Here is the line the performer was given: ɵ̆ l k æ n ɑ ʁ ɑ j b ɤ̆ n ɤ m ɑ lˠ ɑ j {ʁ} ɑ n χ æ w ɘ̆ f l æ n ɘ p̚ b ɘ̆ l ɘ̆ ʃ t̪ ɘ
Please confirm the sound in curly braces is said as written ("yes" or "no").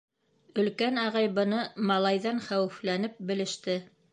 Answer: no